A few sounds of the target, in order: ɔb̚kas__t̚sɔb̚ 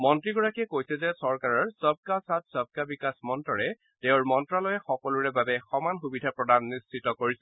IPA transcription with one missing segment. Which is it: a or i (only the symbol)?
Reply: a